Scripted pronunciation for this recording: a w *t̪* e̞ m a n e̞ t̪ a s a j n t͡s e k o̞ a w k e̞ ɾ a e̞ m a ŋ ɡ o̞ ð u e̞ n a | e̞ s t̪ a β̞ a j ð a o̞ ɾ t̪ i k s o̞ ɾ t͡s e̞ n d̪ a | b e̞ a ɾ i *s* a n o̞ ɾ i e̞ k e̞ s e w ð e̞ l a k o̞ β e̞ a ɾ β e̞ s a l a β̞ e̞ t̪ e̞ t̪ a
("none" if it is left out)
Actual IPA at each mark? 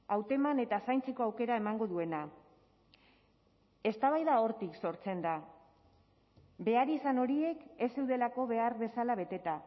t̪, s

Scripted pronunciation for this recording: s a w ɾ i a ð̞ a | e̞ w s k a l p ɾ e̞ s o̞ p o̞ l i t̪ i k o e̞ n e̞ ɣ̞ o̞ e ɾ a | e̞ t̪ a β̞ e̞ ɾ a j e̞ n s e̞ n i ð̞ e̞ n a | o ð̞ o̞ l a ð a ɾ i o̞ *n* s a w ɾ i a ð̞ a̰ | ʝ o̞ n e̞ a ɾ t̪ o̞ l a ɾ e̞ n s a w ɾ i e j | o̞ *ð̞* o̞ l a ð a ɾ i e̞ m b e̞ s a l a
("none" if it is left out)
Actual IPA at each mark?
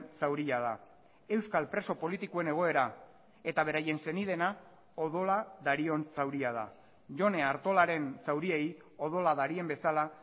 n, ð̞

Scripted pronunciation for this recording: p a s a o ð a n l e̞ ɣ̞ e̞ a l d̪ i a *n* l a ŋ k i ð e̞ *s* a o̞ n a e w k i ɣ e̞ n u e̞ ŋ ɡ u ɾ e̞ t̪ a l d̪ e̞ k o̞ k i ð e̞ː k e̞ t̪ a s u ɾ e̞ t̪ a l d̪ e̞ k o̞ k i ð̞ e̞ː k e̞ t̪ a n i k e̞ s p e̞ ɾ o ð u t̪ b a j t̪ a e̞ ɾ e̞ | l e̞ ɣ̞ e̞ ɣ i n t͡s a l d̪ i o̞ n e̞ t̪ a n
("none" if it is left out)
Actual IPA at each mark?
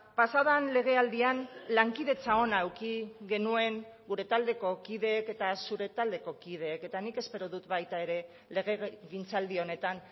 n, t͡s

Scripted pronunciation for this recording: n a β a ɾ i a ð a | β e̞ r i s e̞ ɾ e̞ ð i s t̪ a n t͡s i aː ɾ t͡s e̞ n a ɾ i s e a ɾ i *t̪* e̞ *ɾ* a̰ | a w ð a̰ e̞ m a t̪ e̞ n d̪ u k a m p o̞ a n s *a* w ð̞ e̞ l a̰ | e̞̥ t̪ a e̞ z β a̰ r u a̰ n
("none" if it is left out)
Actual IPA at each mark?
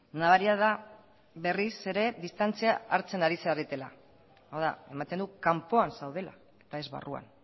t̪, l, a

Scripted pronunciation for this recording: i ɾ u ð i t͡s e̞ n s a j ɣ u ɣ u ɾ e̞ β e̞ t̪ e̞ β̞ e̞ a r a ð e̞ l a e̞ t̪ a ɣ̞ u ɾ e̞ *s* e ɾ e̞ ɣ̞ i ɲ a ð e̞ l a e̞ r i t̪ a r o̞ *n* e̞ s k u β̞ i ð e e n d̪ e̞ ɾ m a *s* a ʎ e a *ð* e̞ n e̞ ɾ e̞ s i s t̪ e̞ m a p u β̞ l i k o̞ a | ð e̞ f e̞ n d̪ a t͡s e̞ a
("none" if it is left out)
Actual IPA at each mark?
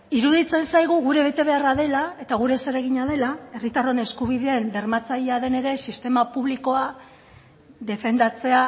s, n, t͡s, ð

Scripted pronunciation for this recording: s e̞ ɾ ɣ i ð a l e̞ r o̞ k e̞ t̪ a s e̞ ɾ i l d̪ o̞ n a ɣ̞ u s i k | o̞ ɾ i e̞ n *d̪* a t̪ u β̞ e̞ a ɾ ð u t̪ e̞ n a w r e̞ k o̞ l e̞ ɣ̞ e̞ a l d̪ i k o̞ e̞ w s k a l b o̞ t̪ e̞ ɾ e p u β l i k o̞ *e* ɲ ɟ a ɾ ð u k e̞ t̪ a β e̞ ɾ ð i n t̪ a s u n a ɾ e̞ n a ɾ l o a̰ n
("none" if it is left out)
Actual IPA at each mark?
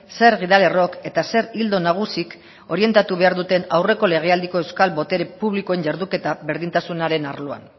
t̪, e

